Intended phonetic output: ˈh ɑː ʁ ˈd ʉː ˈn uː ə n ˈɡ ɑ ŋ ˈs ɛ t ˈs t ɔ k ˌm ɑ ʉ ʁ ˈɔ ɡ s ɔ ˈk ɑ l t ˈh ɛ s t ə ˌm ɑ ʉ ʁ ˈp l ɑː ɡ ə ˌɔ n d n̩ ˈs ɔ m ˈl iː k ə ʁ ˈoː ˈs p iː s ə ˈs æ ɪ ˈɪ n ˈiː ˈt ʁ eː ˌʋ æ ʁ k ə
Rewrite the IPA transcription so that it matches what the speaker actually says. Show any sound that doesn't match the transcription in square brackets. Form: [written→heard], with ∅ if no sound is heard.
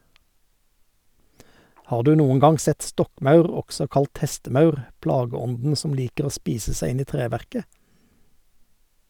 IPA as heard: ˈh ɑː ʁ ˈd ʉː ˈn uː ə n ˈɡ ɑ ŋ ˈs ɛ t ˈs t ɔ k ˌm ɑ ʉ ʁ ˈɔ ɡ s ɔ ˈk ɑ l t ˈh ɛ s t ə ˌm ɑ ʉ ʁ ˈp l ɑː ɡ ə ˌɔ n d n̩ ˈs ɔ m ˈl iː k ə ʁ ˈoː ˈs p iː s ə ˈs æ ɪ ˈɪ n ˈiː ˈt ʁ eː ˌʋ æ ʁ k ə